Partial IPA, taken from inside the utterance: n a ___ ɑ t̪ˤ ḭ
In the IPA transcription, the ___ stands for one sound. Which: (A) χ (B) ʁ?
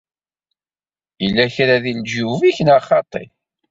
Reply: A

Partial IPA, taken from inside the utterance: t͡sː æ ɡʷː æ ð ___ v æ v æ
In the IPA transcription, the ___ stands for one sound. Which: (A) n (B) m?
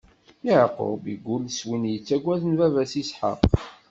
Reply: A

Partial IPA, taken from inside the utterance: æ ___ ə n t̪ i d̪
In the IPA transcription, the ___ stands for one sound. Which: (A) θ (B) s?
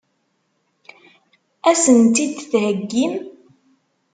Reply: B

